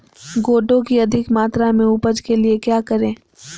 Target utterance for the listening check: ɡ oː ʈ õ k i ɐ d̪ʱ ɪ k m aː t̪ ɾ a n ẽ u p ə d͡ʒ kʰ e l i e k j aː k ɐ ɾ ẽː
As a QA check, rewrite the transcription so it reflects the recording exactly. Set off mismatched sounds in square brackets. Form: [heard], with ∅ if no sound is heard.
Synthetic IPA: ɡ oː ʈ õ k i ɐ d̪ʱ ɪ k m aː t̪ ɾ a [m] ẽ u p ə d͡ʒ [k] e l i e k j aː k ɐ ɾ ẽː